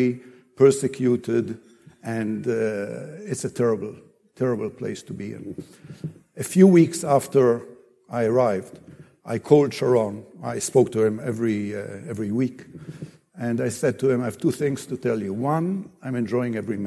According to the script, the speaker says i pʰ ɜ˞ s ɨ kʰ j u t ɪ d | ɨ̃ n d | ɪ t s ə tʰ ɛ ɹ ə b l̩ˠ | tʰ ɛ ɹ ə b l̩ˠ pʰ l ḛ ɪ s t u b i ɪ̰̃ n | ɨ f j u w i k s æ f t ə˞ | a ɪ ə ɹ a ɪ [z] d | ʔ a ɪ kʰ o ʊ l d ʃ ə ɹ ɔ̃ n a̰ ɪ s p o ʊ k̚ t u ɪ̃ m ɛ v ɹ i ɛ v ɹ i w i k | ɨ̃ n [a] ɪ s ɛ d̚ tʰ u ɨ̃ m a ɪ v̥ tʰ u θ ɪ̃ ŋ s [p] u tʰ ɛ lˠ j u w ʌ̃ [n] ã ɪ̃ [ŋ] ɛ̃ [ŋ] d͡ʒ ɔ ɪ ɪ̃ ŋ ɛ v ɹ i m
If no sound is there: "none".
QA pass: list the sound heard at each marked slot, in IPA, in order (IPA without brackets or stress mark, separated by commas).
v, a, t, n, m, n